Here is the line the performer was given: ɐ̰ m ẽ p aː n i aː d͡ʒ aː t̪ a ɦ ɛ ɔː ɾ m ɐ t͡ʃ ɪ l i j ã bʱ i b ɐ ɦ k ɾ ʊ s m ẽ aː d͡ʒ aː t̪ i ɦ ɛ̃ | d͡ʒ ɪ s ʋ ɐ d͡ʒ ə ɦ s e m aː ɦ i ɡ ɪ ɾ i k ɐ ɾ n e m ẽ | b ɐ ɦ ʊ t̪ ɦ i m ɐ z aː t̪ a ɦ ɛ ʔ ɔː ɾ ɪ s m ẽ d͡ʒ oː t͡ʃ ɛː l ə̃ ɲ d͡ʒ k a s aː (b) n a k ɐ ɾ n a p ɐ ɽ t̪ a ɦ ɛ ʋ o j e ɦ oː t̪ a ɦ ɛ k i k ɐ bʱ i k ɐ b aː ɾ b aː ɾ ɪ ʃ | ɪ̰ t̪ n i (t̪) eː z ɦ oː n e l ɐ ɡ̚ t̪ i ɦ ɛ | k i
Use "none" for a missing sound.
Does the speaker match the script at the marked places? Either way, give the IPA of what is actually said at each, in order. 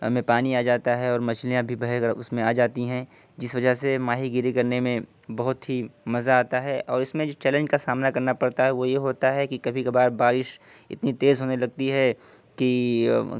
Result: m, t̪

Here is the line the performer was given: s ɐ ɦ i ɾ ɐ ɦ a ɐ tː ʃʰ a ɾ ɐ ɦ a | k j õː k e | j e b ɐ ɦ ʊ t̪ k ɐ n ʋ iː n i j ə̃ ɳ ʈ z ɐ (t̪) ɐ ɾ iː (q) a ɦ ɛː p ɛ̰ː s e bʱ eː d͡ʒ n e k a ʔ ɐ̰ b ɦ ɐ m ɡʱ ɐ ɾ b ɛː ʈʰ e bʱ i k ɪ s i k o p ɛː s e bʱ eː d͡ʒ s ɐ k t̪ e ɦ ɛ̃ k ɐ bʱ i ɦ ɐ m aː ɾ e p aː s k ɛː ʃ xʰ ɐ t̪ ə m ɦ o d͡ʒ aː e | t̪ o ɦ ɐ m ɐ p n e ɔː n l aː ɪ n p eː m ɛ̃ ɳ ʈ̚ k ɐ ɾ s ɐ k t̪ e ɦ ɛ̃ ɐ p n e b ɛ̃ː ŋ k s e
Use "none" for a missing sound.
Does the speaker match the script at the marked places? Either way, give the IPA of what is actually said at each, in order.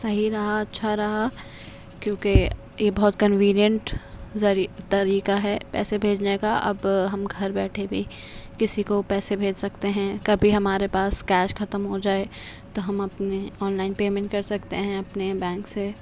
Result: t̪, k

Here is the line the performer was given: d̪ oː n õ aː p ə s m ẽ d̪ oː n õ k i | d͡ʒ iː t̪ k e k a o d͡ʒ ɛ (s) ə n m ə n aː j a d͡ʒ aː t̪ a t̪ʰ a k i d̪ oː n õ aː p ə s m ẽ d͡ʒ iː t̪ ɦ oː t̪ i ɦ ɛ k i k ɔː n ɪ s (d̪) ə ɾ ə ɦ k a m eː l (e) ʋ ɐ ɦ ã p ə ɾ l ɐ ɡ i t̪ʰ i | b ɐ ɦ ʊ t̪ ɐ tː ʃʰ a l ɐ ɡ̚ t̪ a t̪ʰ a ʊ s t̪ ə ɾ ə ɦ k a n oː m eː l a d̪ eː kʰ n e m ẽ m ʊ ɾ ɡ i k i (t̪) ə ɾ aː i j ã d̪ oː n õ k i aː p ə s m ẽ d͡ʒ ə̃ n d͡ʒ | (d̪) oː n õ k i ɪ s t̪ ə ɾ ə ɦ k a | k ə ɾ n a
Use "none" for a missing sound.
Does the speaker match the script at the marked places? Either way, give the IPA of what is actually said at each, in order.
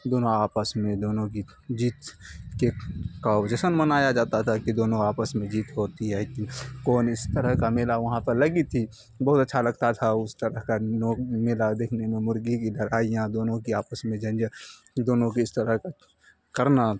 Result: s, t̪, a, d̪, d̪

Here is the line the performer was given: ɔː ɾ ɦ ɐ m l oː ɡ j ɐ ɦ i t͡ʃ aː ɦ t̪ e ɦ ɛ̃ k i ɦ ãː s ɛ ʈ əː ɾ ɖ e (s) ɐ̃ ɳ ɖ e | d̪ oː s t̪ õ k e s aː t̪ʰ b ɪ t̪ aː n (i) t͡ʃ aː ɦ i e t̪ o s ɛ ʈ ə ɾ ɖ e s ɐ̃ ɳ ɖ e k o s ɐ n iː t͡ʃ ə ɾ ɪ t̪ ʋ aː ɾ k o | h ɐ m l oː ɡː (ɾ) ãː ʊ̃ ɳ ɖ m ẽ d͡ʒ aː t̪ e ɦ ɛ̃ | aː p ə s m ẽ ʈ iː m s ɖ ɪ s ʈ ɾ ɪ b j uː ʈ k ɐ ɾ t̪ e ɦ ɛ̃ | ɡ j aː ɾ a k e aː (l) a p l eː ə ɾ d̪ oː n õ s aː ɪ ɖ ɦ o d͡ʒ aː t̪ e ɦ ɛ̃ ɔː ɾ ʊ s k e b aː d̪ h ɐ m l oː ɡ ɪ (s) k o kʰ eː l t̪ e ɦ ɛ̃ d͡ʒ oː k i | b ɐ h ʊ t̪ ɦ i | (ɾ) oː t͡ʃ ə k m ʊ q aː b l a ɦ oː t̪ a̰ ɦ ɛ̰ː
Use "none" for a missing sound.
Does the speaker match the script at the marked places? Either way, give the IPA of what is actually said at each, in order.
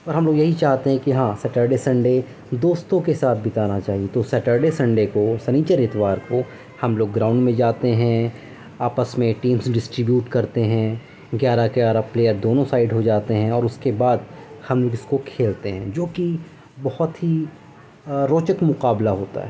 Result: s, a, ɾ, ɾ, s, ɾ

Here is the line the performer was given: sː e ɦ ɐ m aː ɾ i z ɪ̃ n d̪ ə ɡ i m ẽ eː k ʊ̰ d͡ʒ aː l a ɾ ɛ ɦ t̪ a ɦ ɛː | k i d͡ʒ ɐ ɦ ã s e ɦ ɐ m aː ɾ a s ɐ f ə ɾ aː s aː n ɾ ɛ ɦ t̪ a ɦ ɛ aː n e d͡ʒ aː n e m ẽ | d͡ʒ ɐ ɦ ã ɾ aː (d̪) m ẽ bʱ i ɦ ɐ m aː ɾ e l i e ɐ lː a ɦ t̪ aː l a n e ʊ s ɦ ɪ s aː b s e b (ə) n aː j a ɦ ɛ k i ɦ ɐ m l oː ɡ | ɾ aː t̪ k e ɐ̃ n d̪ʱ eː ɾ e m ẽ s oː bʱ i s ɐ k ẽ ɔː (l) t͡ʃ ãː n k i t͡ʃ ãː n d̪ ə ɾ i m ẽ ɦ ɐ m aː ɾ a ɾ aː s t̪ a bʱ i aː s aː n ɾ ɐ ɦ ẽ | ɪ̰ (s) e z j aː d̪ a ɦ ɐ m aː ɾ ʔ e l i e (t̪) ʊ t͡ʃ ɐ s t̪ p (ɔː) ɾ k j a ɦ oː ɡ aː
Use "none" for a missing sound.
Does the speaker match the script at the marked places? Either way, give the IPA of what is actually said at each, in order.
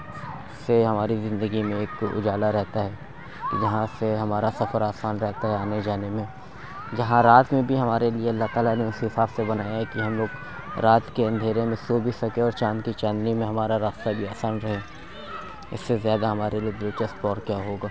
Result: t̪, ɐ, ɾ, sː, d̪, ɔː

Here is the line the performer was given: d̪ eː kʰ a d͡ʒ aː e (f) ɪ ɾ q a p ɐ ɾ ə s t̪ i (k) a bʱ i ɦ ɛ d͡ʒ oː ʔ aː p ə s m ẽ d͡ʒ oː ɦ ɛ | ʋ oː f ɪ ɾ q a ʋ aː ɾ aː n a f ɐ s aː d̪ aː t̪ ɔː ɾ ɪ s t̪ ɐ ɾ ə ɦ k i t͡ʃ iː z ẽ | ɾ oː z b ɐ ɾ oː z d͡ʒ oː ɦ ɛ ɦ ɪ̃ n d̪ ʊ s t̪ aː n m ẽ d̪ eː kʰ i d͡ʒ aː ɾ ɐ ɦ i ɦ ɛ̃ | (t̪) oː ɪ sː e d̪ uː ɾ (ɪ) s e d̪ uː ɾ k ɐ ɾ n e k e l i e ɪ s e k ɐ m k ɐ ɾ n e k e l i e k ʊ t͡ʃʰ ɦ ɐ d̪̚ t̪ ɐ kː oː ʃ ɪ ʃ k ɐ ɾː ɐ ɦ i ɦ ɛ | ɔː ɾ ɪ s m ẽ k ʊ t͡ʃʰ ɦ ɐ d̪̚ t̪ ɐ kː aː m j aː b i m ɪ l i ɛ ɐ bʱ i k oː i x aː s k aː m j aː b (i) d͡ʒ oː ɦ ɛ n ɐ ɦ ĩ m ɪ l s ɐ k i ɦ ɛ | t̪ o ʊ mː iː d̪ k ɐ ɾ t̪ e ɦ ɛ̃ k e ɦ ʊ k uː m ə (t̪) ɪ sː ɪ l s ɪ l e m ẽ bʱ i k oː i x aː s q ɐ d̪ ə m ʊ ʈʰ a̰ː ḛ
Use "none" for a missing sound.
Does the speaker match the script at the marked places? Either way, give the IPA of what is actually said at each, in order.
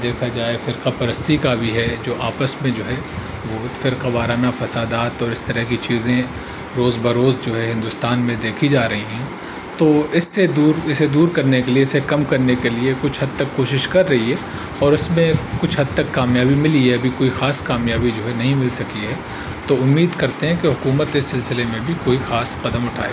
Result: f, k, t̪, ɪ, i, t̪

